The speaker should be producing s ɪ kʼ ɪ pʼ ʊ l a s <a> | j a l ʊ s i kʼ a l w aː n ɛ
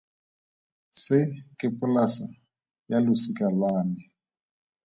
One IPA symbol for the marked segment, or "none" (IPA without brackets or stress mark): a